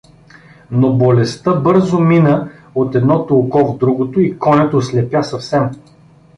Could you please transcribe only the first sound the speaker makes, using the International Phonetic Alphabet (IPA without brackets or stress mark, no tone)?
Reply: n